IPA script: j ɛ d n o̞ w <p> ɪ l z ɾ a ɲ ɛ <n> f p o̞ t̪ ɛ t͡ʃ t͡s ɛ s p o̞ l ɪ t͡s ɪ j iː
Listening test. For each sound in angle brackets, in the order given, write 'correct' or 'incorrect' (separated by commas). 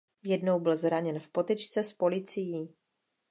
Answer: incorrect, correct